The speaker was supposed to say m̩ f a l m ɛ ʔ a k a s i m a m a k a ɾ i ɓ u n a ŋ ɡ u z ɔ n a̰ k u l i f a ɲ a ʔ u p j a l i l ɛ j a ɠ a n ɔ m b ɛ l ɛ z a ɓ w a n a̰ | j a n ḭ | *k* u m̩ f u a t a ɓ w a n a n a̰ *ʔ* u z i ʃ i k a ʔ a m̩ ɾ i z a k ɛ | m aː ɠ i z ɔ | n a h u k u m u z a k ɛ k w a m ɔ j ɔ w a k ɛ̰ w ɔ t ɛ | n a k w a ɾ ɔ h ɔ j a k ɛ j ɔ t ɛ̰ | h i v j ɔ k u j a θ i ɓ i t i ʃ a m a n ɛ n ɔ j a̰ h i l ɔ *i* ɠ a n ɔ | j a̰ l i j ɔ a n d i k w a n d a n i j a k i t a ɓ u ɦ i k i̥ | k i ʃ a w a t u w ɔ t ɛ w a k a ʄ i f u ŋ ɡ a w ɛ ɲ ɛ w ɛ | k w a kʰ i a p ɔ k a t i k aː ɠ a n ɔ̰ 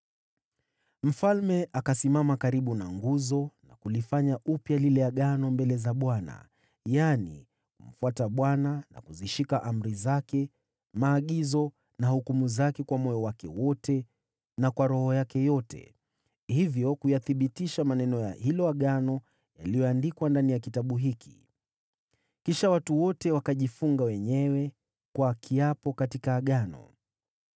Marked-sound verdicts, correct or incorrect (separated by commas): correct, incorrect, incorrect